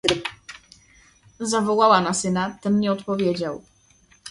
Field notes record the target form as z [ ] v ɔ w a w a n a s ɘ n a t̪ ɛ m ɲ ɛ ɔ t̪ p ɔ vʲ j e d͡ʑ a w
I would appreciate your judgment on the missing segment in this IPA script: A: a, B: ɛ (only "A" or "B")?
A